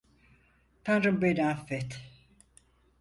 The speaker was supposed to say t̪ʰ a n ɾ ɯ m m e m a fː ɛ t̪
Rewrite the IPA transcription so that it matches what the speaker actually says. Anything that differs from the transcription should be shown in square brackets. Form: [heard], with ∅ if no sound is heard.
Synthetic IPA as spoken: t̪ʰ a n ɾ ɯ m [b] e [n] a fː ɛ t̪